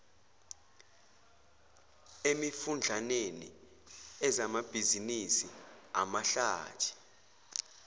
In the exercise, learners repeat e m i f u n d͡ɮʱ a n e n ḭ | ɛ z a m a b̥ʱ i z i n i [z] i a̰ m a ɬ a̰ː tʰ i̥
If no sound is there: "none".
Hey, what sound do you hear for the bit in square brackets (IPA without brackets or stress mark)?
s